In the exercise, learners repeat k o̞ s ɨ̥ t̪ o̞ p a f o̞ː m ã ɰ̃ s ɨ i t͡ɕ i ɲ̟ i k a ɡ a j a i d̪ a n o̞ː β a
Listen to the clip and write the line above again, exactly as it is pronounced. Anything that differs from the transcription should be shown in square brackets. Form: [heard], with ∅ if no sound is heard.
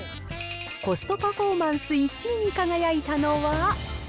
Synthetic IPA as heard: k o̞ s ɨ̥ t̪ o̞ p a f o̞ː m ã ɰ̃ s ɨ i t͡ɕ i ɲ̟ i k a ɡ a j a i [t̪] a n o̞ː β a